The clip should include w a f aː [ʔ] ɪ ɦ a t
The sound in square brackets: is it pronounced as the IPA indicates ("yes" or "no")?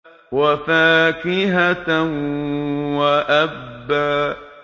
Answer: no